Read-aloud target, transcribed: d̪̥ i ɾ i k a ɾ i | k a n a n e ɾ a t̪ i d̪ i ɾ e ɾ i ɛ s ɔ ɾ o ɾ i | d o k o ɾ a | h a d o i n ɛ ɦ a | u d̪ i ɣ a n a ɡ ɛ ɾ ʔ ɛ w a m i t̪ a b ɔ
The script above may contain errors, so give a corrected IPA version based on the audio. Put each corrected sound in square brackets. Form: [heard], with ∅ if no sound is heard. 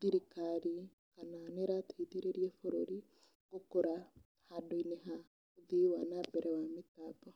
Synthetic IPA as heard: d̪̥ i ɾ i k a ɾ i | k a n a n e ɾ a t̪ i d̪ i ɾ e ɾ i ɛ [f] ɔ ɾ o ɾ i | [ɡ] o k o ɾ a | h a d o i n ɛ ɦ a | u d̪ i [w] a n a [b] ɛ ɾ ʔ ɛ w a m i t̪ a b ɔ

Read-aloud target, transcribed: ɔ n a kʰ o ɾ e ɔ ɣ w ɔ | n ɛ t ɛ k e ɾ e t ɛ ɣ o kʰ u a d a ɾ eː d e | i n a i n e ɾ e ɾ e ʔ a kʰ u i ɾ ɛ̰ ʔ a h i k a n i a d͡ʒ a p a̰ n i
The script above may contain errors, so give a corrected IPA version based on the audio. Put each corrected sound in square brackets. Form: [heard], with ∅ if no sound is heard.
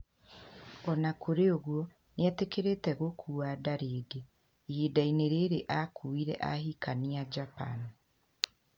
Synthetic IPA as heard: ɔ n a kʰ o ɾ e [o] ɣ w ɔ | n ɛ t [e] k e ɾ e t ɛ ɣ o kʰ u a d a ɾ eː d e | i [d] a i n e ɾ e ɾ e ʔ a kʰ u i ɾ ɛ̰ ʔ a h i k a n i a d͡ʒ a p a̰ n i

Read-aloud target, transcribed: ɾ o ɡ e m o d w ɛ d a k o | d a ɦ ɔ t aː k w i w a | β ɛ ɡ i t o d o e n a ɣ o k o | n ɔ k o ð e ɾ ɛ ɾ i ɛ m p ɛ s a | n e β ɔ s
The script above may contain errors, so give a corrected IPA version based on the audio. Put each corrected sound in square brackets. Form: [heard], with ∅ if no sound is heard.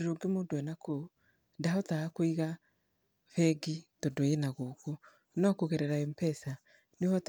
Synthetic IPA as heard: ɾ o ɡ e m o d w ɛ [n] a k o | d a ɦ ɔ t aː k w i [ɣ] a | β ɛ ɡ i t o d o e n a ɣ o k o | n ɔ k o [ɣ] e ɾ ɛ ɾ [a] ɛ m p ɛ s a | n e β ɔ [t]

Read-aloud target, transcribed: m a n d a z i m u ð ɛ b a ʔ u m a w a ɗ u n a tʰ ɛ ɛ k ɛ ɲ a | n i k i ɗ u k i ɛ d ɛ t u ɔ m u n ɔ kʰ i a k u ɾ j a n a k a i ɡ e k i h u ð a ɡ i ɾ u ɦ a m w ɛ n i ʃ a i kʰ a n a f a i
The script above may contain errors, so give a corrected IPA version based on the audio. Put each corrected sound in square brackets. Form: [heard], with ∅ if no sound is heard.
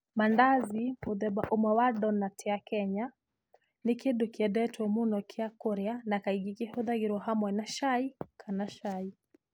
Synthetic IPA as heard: m a n d a z i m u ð ɛ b a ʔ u m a w a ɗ [ɔ] n a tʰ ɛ [a] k ɛ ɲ a | n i k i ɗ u k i ɛ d ɛ t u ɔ m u n ɔ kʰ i a k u ɾ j a n a k a i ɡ [i] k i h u ð a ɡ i ɾ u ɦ a m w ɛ n [a] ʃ a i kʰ a n a [ʃ] a i

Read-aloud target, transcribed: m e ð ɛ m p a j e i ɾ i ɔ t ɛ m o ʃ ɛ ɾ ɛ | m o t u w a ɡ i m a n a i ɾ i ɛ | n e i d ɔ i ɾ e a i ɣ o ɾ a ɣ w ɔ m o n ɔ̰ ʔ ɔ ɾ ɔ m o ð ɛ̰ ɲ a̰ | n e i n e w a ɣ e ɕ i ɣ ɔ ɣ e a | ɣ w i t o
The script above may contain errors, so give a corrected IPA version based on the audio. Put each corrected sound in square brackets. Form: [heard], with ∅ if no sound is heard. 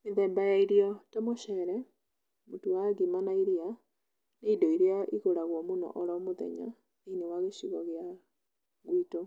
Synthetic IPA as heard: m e ð ɛ m [b] a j [a] i ɾ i ɔ t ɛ m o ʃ ɛ ɾ ɛ | m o t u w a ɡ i m a n a i ɾ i [a] | n e i d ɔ i ɾ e a i ɣ o ɾ a ɣ w ɔ m o n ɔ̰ ʔ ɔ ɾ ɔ m o ð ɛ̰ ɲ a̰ | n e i n e w a ɣ e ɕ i ɣ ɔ ɣ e a | ɣ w i t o

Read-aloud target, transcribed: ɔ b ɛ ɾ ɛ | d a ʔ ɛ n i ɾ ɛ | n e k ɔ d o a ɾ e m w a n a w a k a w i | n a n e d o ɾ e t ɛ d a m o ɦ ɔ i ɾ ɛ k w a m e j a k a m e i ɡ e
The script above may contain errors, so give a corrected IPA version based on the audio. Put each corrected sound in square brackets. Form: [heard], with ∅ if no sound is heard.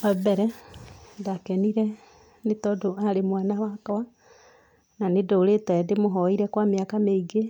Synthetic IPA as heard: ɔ b ɛ ɾ ɛ | d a [k] ɛ n i ɾ ɛ | n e [t] ɔ d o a ɾ e m w a n a w a k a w [a] | n a n e d o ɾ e t ɛ d [e] m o ɦ ɔ i ɾ ɛ k w a m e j a k a m e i ɡ e

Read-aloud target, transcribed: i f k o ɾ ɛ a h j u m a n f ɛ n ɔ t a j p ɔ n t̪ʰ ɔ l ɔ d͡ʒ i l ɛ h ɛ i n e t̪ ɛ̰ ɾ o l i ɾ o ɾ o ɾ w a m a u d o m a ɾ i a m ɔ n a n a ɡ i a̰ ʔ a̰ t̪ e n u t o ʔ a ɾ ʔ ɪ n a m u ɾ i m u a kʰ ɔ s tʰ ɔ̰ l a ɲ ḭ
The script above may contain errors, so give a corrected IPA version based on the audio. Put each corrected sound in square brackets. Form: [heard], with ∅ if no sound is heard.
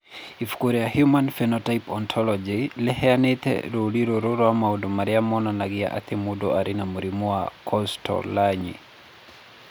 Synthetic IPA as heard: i f k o ɾ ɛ a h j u m a n f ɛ n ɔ t a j p ɔ n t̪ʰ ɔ l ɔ d͡ʒ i l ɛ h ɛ [a] n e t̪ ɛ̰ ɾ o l i ɾ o ɾ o ɾ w a m a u d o m a ɾ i a m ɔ n a n a ɡ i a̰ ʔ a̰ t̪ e [m] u [d] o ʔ a ɾ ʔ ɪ n a m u ɾ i m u a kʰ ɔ s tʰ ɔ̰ l a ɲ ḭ

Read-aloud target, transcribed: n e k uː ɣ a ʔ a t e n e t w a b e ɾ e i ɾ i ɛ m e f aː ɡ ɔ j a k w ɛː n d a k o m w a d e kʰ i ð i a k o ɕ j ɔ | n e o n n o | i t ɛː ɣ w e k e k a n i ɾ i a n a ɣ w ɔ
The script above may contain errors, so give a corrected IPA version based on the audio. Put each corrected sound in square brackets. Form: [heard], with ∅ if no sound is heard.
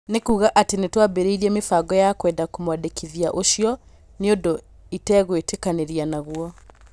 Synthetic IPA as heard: n e k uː ɣ a ʔ a t e n e t w a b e ɾ e i ɾ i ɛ m e f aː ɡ ɔ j a k w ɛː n d a k o m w a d e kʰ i ð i a [ʔ] o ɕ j ɔ | n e o n [d] o | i t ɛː ɣ w e [t] e k a n [e] ɾ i a n a ɣ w ɔ

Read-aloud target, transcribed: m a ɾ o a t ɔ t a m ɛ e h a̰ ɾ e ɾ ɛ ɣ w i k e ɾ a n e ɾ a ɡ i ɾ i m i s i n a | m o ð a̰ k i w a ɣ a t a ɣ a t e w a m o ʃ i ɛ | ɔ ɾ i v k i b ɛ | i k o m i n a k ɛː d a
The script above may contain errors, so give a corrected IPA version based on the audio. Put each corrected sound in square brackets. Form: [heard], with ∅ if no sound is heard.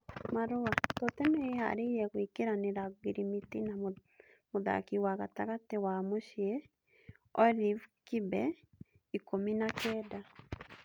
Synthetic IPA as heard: m a ɾ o a t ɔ t [ɛ] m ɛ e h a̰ ɾ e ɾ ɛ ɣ w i k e ɾ a n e ɾ a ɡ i ɾ i m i [t] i n a | m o ð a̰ k i w a ɣ a t a ɣ a t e w a m o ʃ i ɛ | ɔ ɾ i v k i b ɛ | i k o m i n a k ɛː d a

